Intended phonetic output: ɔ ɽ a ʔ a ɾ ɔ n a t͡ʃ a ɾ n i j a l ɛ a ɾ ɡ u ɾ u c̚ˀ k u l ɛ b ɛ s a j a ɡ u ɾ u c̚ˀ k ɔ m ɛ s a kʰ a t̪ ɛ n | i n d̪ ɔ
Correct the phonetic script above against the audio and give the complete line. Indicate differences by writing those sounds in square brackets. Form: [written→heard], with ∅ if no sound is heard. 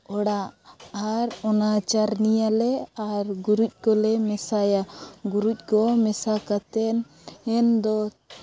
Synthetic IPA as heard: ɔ ɽ a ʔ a ɾ ɔ n a t͡ʃ a ɾ n i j a l ɛ a ɾ ɡ u ɾ u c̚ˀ k [u→ɔ] l ɛ [b→m] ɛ s a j a ɡ u ɾ u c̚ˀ k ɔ m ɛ s a [kʰ→k] a t̪ ɛ n | [i→ɛ] n d̪ ɔ